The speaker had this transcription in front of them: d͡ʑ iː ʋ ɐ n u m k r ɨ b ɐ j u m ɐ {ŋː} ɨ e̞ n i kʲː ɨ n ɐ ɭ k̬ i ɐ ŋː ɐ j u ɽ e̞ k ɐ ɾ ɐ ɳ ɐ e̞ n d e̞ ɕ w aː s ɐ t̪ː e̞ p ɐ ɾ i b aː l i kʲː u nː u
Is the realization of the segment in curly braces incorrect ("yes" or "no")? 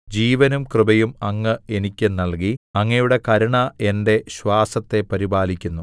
no